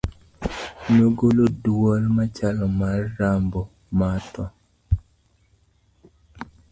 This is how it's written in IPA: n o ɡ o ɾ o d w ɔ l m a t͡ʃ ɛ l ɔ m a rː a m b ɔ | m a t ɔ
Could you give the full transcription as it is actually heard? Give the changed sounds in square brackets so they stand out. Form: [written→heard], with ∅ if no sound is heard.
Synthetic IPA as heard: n o ɡ o [ɾ→l] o d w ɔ l m a t͡ʃ [ɛ→a] l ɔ m a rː a m b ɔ | m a t ɔ